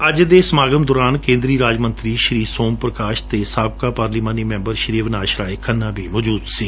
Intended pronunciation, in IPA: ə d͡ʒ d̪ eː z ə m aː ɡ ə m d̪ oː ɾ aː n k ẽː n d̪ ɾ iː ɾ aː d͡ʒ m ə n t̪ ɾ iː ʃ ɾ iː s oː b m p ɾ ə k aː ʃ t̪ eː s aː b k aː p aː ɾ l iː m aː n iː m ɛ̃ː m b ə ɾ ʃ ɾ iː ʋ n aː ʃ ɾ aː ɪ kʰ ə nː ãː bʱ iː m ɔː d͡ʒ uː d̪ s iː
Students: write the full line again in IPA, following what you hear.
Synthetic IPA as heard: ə d͡ʒ d̪ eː s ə m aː ɡ ə m d̪ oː ɾ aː n k ẽː n d̪ ɾ iː ɾ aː d͡ʒ m ə n t̪ ɾ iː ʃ ɾ iː s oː m p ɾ ə k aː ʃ t̪ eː s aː b k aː p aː ɾ l iː m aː n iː m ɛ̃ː m b ə ɾ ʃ ɾ iː ʋ n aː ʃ ɾ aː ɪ kʰ ə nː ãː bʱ iː m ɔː d͡ʒ uː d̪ s iː